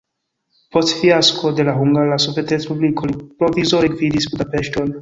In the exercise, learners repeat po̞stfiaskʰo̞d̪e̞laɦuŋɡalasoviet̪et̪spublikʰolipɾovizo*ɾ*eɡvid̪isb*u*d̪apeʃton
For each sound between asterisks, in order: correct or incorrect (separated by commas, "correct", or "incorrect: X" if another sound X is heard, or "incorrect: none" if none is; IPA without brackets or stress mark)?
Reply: correct, correct